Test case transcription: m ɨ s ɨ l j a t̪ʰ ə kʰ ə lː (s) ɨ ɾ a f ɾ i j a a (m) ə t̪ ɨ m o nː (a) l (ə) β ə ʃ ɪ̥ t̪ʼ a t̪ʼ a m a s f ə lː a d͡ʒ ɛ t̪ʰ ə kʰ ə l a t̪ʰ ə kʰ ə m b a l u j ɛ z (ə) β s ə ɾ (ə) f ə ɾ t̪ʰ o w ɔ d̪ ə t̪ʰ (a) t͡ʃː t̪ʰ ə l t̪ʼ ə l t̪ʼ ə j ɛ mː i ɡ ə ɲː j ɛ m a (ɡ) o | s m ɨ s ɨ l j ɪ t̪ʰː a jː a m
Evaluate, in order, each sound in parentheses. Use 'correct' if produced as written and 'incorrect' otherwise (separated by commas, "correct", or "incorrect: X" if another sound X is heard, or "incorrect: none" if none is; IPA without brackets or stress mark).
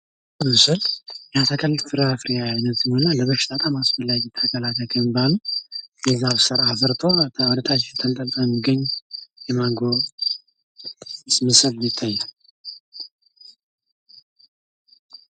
incorrect: f, incorrect: n, correct, correct, incorrect: a, incorrect: a, correct, correct